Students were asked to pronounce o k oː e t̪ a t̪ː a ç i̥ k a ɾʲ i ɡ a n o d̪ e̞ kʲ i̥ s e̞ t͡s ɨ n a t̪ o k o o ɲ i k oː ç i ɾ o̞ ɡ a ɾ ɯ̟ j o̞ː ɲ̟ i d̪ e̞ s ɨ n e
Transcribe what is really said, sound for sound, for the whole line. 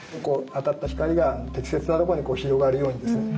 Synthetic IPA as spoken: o k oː a t̪ a t̪ː a ç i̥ k a ɾʲ i ɡ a n o t̪ e̞ kʲ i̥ s e̞ t͡s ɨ n a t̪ o k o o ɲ i k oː ç i ɾ o̞ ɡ a ɾ ɯ̟ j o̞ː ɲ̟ i d̪ e̞ s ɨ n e